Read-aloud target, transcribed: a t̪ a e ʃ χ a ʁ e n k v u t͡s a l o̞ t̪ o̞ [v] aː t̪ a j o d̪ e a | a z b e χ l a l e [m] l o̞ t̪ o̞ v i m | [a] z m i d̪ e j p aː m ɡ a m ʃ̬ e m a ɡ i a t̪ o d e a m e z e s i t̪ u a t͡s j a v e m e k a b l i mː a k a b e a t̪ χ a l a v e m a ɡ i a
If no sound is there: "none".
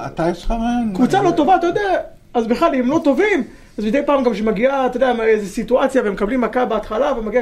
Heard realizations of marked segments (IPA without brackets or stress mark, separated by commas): v, m, a